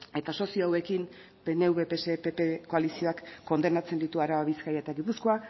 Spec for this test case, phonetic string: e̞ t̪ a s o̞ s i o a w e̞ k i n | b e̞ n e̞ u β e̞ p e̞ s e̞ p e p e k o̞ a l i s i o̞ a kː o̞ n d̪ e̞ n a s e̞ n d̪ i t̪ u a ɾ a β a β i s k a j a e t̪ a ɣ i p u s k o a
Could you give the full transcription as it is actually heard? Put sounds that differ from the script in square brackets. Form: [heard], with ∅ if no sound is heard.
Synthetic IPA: e̞ t̪ a s o̞ s i o a w e̞ k i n | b e̞ n e̞ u β e̞ p e̞ s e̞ p e p e k o̞ a l i s i o̞ a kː o̞ n d̪ e̞ n a [t͡s] e̞ n d̪ i t̪ u a ɾ a β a β i s k a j a e t̪ a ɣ i p u s k o a